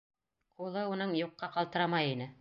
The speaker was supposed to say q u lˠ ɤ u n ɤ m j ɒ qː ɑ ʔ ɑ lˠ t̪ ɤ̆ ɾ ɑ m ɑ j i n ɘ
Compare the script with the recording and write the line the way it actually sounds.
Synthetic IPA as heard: q u lˠ ɤ u n ɤ ɴ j u qː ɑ q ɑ lˠ t̪ ɤ̆ ɾ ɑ m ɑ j i n ɘ